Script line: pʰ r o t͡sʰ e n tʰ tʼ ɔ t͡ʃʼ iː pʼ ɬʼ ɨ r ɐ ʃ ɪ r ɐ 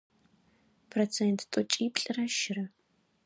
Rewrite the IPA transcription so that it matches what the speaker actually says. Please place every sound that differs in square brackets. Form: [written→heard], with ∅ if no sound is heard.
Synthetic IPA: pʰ r o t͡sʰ e n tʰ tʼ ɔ t͡ʃʼ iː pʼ ɬʼ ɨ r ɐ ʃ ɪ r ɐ